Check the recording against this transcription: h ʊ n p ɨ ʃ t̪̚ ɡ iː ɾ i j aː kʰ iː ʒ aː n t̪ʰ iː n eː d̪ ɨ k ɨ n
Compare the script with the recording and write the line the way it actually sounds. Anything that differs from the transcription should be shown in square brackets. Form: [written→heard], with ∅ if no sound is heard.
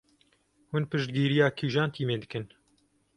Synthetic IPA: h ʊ n p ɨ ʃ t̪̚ ɡ iː ɾ i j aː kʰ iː ʒ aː n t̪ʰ iː [n→m] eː d̪ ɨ k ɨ n